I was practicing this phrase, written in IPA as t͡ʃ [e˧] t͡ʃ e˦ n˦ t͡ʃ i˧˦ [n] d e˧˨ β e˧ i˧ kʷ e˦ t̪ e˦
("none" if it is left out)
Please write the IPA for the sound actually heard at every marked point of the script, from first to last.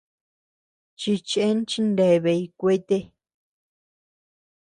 i˧, n

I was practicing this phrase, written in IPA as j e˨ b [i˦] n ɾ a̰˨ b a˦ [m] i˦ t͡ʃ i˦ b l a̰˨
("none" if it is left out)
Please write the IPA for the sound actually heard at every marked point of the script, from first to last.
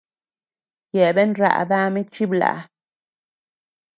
e˦, m

